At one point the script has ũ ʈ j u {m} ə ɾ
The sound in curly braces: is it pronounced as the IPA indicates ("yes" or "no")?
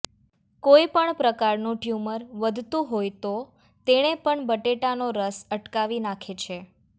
yes